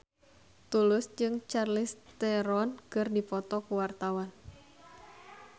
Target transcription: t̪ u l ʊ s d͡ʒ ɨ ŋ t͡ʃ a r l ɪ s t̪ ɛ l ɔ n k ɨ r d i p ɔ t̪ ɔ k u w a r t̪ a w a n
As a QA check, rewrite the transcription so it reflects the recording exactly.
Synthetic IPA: t̪ u l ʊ s d͡ʒ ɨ ŋ t͡ʃ a r l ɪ s t̪ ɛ ɾ ɔ n k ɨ r d i p ɔ t̪ ɔ k u w a r t̪ a w a n